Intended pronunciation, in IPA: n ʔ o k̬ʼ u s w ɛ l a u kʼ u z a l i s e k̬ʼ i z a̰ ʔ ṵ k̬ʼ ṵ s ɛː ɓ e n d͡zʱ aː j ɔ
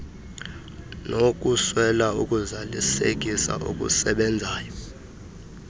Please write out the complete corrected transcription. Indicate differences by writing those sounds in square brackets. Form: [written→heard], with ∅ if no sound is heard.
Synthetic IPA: n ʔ o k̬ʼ u s w ɛ l a u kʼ u z a l i s e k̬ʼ i [z→s] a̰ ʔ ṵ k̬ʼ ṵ s [ɛː→ɛ] ɓ [e→ɛ] n d͡zʱ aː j ɔ